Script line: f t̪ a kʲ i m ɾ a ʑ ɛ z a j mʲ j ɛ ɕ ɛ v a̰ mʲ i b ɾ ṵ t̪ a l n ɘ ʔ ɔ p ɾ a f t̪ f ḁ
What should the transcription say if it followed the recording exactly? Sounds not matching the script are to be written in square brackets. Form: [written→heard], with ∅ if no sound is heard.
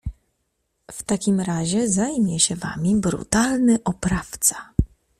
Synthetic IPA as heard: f t̪ a kʲ i m ɾ a ʑ ɛ z a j mʲ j ɛ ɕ ɛ v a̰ mʲ i b ɾ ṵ t̪ a l n ɘ ʔ ɔ p ɾ a f t̪ [f→s] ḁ